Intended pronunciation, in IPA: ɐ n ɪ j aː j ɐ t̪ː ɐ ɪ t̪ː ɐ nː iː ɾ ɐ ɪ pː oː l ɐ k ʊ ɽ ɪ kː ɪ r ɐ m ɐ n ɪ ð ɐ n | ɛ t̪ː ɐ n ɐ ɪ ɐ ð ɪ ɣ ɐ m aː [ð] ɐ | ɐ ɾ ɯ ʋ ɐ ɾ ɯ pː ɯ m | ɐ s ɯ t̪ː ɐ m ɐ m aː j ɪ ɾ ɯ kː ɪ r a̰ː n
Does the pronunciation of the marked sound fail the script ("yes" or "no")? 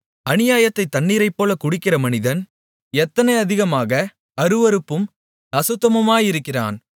yes